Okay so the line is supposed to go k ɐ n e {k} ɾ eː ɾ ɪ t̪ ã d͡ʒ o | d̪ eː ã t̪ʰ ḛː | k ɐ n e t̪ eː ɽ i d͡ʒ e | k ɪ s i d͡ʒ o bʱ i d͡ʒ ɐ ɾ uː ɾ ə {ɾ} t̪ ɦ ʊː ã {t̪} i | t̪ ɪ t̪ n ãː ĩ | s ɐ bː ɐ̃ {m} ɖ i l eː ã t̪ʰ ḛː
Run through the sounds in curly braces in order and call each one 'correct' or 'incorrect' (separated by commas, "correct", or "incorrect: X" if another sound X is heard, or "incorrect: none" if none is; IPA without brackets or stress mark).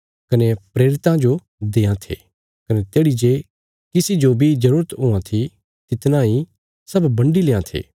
incorrect: p, incorrect: none, incorrect: t̪ʰ, incorrect: ɳ